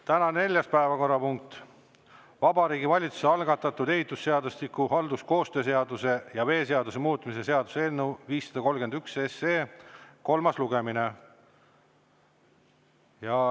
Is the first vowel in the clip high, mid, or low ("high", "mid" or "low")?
low